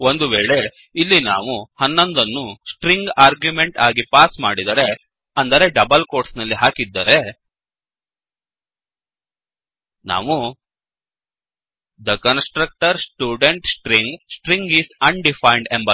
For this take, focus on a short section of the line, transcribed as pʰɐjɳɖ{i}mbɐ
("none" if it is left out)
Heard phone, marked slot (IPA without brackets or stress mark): e